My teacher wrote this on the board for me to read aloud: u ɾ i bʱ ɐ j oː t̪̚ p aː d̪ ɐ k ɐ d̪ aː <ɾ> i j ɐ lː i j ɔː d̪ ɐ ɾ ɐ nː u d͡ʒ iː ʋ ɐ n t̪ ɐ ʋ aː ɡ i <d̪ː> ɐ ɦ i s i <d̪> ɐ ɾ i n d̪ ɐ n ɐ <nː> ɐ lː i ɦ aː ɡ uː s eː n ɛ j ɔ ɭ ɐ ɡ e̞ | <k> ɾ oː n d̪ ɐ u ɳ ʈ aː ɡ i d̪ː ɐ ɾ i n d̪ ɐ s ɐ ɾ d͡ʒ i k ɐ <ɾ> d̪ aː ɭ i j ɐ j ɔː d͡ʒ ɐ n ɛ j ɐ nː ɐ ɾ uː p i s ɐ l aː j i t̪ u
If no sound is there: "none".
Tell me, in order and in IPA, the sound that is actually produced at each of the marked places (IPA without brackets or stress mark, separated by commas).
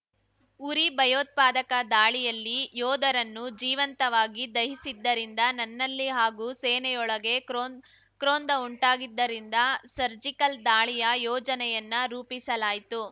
ɭ, d̪, d̪ː, nː, k, l